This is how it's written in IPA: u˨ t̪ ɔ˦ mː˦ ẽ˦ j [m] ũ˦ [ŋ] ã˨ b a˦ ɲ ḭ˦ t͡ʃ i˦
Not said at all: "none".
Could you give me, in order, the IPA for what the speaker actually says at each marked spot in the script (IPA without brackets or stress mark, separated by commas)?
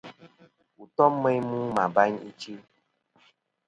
m, m